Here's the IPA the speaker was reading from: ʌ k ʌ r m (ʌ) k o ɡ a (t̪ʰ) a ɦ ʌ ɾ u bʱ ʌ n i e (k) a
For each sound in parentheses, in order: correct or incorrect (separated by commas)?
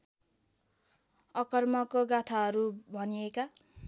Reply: correct, correct, correct